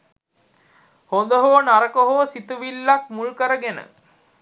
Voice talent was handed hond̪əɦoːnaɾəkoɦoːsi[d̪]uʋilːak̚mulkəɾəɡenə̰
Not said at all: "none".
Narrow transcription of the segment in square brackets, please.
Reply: t̪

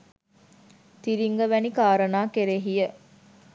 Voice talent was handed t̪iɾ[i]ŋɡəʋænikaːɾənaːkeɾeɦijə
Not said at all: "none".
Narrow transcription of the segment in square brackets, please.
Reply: i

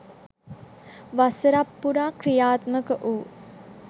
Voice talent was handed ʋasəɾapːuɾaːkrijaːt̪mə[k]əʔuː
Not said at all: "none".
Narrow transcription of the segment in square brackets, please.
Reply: k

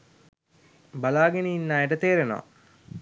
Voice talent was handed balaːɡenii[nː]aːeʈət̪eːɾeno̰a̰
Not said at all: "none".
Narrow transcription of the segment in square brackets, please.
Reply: nː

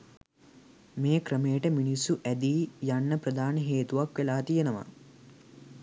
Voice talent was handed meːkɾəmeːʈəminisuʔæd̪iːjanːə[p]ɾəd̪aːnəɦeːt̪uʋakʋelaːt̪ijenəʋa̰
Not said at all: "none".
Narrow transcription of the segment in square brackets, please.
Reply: p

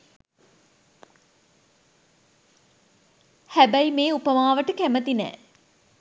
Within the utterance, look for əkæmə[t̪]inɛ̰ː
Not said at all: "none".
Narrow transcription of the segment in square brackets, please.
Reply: t̪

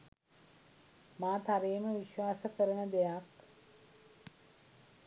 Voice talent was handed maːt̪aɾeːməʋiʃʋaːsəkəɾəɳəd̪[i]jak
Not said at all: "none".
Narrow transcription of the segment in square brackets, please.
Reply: e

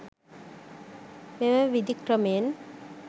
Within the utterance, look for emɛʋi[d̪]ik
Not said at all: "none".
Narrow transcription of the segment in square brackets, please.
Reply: d̪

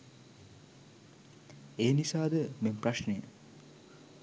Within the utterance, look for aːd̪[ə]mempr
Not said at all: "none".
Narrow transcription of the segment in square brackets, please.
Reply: ə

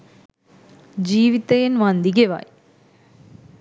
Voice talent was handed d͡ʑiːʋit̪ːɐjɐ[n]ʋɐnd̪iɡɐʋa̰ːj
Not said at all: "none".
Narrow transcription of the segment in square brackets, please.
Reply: n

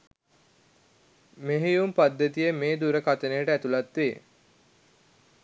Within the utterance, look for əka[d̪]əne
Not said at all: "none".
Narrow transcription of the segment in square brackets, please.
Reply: t̪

